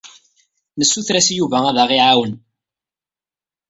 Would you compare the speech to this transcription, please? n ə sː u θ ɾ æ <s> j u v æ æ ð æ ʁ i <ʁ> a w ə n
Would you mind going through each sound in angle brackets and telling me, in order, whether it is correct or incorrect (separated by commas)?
correct, incorrect